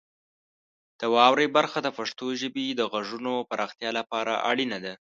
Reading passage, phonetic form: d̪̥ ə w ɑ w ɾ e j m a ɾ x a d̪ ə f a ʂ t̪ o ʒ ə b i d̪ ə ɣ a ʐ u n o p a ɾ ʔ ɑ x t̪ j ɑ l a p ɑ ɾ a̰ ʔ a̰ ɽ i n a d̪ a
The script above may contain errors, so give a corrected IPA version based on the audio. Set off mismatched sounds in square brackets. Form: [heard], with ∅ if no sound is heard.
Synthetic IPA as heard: d̪̥ ə w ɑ w ɾ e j [b] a ɾ x a d̪ ə f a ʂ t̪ o ʒ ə b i d̪ ə ɣ a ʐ u n o p a ɾ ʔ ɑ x t̪ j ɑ l a p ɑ ɾ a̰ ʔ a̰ ɽ i n a d̪ a